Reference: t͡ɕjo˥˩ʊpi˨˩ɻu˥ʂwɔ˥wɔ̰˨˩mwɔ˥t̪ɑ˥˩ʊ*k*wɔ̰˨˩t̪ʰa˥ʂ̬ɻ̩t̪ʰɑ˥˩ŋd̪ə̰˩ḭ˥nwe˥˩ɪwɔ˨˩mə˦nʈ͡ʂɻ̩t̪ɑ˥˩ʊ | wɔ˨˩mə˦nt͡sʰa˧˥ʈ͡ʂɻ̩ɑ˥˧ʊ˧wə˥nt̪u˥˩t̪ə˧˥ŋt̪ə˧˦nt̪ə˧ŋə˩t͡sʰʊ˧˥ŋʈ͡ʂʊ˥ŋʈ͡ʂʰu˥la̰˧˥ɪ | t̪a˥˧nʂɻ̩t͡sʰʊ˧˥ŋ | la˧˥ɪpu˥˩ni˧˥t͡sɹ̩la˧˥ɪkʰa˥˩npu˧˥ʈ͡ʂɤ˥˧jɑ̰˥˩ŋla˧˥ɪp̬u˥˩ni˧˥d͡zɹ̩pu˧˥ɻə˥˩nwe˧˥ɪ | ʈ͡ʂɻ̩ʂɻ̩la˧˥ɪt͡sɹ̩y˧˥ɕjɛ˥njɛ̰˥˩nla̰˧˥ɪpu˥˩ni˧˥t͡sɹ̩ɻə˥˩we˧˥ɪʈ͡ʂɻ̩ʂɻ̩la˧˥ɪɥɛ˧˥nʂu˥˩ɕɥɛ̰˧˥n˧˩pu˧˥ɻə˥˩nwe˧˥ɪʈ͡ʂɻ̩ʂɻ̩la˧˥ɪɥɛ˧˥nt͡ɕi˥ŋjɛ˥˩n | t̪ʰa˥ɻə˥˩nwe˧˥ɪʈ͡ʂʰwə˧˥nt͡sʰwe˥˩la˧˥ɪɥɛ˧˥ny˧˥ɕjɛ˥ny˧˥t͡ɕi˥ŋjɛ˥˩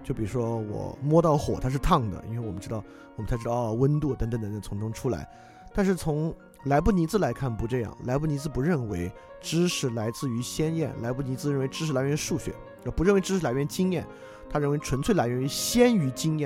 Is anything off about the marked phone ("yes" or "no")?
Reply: yes